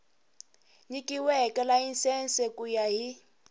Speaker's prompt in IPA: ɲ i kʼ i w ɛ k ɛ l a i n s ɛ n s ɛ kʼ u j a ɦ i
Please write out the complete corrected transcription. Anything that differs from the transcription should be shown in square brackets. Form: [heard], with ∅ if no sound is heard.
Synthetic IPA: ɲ i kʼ i w ɛ k ɛ l a i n s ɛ n s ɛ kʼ u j a ɦ i